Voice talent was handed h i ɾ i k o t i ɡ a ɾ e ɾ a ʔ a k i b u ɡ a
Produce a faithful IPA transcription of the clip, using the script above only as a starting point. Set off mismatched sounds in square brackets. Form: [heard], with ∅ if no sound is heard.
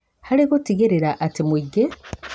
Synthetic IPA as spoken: h [a] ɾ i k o t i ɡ [e] ɾ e ɾ a ʔ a [t] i [m] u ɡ [e]